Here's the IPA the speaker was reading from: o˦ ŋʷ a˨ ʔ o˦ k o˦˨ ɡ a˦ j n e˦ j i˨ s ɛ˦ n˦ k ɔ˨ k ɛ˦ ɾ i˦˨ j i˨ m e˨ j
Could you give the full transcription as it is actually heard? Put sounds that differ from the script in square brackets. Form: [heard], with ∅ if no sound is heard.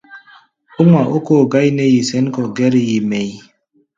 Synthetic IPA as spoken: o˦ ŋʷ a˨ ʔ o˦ k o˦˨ ɡ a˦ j n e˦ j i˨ s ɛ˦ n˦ k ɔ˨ [ɡ] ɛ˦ ɾ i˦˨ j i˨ m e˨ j